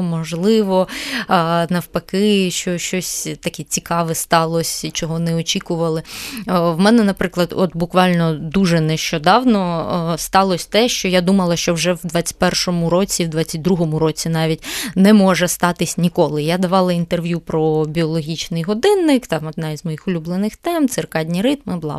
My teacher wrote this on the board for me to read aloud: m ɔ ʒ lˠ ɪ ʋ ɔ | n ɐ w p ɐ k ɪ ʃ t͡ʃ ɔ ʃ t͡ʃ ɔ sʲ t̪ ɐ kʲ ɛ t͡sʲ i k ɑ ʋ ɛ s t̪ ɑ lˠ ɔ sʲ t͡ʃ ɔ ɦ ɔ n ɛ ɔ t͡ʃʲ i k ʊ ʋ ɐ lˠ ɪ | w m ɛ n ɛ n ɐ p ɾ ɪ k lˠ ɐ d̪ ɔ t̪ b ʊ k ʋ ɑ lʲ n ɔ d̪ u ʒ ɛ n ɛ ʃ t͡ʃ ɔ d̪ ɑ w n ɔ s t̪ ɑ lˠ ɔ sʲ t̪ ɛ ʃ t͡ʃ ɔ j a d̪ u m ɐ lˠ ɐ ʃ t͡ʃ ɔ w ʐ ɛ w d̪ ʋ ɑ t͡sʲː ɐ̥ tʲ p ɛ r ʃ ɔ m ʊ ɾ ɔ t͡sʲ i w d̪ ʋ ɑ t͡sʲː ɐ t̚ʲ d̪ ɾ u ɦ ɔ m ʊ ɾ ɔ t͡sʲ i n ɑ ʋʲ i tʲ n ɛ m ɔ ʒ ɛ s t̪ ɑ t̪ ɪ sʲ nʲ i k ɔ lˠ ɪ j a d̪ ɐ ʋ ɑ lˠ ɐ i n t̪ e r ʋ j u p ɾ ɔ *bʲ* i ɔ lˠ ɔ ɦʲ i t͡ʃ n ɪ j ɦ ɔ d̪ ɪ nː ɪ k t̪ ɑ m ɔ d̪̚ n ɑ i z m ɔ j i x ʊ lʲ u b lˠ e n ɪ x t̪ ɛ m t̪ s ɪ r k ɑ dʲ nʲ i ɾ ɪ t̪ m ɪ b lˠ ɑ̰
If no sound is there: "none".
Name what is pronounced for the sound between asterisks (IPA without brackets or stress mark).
bʲ